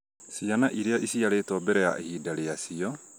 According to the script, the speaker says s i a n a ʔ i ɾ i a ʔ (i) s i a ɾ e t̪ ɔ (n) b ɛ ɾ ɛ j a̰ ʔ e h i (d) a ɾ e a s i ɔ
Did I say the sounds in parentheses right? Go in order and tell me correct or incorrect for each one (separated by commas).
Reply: correct, incorrect, correct